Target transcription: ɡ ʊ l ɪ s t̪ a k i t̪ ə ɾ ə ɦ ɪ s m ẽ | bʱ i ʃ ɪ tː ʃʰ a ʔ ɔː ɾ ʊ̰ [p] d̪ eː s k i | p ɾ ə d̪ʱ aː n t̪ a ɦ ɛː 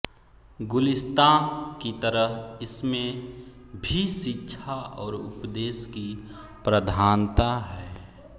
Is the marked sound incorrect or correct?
correct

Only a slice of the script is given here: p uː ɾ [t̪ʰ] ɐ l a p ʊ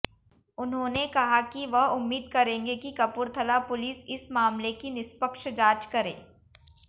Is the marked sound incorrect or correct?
correct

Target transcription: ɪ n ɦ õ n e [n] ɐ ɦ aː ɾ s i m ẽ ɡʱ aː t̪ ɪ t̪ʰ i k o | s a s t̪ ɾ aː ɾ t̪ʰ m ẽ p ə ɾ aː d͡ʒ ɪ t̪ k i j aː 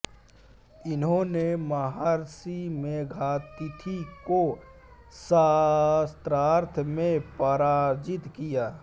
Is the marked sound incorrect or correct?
incorrect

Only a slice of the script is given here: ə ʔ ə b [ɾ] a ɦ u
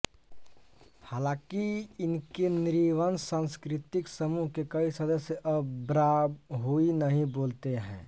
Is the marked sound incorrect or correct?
correct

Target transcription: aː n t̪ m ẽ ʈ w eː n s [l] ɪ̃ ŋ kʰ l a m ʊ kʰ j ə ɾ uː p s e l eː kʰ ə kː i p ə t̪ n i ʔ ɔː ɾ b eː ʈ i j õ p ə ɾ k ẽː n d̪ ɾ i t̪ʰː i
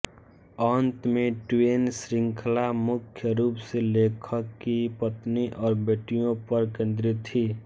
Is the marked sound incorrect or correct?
incorrect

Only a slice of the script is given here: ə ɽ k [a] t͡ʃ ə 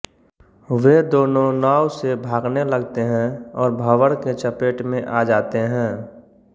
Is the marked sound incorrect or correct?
incorrect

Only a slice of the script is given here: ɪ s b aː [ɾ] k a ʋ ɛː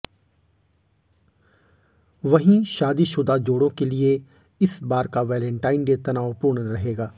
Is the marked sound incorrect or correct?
correct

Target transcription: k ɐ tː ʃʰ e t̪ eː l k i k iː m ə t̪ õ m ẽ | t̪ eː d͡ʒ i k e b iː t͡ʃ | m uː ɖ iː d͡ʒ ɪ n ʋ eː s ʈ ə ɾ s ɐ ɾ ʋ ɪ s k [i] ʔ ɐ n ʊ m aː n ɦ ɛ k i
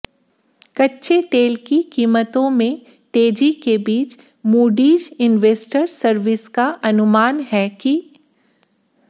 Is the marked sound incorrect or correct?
incorrect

